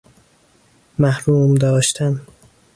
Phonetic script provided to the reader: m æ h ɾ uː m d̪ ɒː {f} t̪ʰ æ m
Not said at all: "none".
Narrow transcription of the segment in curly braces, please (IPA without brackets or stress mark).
ʃ